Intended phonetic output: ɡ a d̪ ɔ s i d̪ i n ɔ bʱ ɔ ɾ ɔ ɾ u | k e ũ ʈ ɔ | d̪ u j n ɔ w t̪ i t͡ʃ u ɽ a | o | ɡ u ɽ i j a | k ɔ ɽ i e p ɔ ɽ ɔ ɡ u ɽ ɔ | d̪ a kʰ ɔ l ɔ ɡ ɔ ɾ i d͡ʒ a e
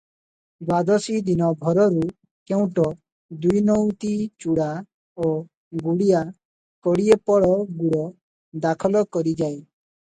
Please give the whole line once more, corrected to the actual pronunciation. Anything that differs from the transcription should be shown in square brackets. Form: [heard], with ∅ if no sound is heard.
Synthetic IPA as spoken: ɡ a d̪ ɔ s i d̪ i n ɔ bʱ ɔ ɾ ɔ ɾ u | k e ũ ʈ ɔ | d̪ u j n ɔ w t̪ i t͡ʃ u ɽ a | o | ɡ u ɽ i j a | k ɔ ɽ i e p ɔ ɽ ɔ ɡ u ɽ ɔ | d̪ a kʰ ɔ l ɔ [k] ɔ ɾ i d͡ʒ a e